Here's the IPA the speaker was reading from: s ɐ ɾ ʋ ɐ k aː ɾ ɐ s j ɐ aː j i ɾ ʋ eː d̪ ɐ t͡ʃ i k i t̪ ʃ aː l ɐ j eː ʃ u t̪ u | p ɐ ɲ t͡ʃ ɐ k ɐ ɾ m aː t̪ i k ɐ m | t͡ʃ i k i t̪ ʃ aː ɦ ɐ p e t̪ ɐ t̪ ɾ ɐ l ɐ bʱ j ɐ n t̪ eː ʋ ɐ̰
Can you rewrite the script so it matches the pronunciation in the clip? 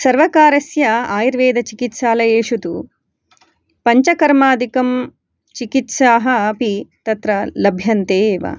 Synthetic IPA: s ɐ ɾ ʋ ɐ k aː ɾ ɐ s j ɐ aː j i ɾ ʋ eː d̪ ɐ t͡ʃ i k i t̪ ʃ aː l ɐ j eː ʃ u t̪ u | p ɐ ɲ t͡ʃ ɐ k ɐ ɾ m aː d̪ i k ɐ m | t͡ʃ i k i t̪ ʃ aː ɦ ɐ p i t̪ ɐ t̪ ɾ ɐ l ɐ bʱ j ɐ n t̪ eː ʋ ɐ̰